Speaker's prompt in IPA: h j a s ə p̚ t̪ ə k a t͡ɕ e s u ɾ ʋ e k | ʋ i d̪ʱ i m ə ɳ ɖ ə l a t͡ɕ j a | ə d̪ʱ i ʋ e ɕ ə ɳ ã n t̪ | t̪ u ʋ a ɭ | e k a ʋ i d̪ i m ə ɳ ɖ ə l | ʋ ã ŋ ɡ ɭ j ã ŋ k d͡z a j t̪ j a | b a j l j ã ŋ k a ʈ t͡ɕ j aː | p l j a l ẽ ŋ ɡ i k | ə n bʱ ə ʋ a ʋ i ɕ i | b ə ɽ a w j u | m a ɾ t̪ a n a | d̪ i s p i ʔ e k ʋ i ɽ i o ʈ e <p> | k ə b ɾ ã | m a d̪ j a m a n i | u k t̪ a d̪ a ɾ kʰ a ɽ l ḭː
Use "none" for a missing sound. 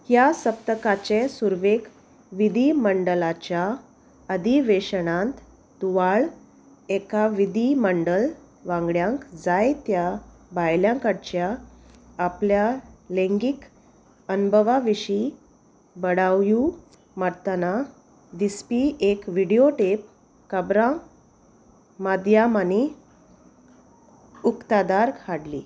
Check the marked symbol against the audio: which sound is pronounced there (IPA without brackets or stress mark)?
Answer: p